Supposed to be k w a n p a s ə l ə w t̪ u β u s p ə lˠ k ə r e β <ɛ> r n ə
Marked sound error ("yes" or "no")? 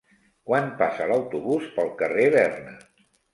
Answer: no